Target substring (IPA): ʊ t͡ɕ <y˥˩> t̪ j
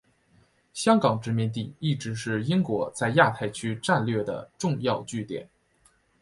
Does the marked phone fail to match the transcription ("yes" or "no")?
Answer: no